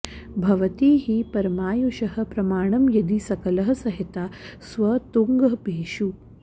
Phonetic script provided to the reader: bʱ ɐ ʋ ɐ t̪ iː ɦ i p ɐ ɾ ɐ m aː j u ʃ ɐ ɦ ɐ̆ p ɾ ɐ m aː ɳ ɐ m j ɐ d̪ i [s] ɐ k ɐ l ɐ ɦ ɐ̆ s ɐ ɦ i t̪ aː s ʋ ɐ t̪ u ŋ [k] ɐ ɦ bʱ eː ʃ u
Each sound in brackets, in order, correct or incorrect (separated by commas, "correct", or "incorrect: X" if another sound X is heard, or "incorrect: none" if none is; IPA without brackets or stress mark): correct, incorrect: ɡ